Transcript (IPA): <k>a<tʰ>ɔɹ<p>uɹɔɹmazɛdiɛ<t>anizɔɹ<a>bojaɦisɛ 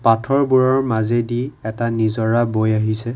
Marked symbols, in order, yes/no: no, yes, no, yes, yes

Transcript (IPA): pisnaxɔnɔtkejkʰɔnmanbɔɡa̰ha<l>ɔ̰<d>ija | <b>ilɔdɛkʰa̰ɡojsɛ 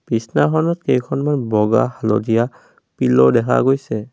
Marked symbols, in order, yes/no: yes, yes, no

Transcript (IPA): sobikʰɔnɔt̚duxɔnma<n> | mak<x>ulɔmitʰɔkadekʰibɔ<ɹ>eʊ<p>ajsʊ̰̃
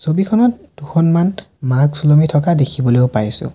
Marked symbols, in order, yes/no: yes, no, no, yes

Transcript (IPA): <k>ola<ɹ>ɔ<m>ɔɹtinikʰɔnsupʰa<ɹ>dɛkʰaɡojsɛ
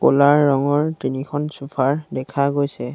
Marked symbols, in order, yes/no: yes, no, no, yes

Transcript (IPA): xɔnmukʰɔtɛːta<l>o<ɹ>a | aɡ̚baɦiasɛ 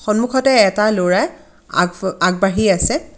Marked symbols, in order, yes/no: yes, yes

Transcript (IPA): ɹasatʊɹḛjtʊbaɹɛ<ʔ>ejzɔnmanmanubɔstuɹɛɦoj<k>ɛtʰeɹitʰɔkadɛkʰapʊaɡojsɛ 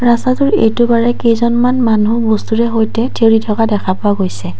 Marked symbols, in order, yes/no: no, no

